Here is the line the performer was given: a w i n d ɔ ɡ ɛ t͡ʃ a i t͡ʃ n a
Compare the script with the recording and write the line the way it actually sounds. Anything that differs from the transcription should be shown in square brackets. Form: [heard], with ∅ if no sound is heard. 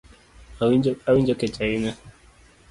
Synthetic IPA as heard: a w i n [d͡ʒ] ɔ [k] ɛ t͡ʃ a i [∅] n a